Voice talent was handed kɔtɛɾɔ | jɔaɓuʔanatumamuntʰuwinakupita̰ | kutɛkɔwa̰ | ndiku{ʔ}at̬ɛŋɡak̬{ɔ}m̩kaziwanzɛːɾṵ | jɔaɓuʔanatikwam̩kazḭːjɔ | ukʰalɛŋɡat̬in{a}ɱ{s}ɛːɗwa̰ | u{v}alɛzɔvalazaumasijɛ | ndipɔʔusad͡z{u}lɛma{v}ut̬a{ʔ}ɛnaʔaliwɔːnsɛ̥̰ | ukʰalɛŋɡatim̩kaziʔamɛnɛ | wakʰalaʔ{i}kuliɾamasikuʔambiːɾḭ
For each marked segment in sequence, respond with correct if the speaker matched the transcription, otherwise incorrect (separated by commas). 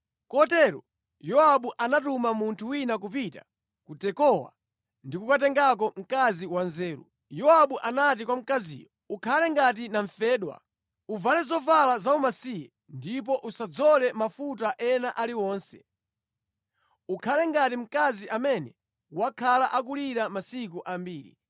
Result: incorrect, correct, correct, incorrect, correct, incorrect, incorrect, correct, incorrect